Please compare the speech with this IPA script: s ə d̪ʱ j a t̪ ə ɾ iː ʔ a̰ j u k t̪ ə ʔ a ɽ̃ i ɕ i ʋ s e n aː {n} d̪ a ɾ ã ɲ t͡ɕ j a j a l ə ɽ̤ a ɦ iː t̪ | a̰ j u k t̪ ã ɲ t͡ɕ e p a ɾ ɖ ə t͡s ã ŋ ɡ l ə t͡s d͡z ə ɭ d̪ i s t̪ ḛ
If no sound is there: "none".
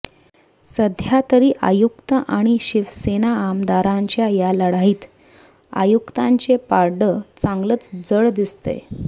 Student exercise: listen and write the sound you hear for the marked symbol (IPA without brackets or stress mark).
m